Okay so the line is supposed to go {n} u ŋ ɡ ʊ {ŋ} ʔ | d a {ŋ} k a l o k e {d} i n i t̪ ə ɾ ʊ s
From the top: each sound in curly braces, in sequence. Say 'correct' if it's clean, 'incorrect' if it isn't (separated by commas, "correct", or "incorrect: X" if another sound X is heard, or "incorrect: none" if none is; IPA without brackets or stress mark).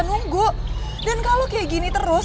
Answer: correct, incorrect: none, incorrect: n, incorrect: ɡ